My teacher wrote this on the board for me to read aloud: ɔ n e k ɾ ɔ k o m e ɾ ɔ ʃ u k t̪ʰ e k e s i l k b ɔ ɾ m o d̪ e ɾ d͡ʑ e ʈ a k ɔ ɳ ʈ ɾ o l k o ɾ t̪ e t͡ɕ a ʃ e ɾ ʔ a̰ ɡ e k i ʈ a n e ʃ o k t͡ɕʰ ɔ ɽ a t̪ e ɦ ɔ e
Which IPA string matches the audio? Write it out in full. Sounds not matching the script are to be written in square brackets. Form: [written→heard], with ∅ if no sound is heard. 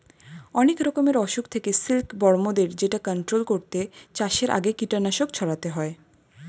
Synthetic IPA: ɔ n e k ɾ ɔ k o m e ɾ ɔ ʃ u k t̪ʰ e k e s i l k b ɔ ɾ m o d̪ e ɾ d͡ʑ e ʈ a k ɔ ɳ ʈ ɾ o l k o ɾ t̪ e t͡ɕ a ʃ e ɾ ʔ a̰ ɡ e k i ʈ a n [e→a] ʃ o k t͡ɕʰ ɔ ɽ a t̪ e ɦ ɔ e